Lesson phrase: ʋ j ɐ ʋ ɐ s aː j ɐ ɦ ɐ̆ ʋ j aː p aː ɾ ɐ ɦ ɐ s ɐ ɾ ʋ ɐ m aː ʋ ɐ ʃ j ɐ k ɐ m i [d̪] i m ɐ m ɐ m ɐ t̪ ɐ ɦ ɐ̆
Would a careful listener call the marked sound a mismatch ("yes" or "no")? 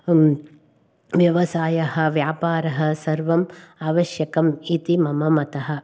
yes